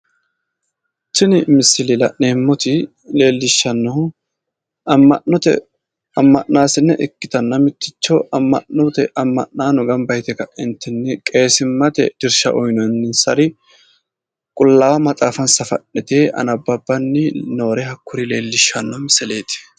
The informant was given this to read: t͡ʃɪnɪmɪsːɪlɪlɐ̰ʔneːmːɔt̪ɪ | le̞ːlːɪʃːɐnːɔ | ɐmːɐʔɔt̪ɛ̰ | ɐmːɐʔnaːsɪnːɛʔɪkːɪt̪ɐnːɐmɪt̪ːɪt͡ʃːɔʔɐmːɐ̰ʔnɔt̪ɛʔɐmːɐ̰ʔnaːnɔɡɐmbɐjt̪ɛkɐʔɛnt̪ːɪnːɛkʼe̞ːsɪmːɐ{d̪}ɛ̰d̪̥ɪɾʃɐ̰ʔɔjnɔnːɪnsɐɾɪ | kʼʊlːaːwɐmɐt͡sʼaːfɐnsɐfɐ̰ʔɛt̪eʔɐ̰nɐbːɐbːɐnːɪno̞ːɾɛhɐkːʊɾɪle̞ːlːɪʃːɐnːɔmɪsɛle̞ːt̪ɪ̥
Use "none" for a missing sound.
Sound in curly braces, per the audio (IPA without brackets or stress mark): t̪